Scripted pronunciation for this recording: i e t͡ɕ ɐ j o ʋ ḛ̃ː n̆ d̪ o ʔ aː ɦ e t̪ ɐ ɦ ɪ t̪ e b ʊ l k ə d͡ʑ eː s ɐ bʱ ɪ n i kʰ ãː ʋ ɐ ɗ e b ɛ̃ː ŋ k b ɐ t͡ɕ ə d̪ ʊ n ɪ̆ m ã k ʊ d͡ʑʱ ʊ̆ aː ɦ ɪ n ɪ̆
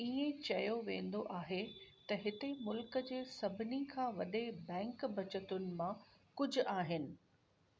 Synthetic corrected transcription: i ẽ t͡ɕ ɐ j o ʋ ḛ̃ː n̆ d̪ o ʔ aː ɦ e t̪ ɐ ɦ ɪ t̪ e m ʊ l k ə d͡ʑ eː s ɐ bʱ ɪ n i kʰ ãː ʋ ɐ ɗ e b ɛ̃ː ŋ k b ɐ t͡ɕ ə t̪ ʊ n ɪ̆ m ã k ʊ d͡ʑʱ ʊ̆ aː ɦ ɪ n ɪ̆